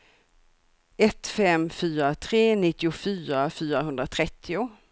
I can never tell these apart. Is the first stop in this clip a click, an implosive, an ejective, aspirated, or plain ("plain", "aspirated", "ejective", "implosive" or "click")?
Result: plain